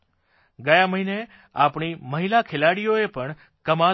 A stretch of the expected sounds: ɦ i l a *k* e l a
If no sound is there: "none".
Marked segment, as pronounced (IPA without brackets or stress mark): kʰ